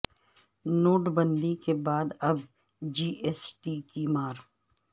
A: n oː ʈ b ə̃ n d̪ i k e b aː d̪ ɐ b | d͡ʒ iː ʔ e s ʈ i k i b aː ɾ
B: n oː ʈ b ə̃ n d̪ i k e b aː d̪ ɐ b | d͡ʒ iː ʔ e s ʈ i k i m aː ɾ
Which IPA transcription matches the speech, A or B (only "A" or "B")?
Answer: B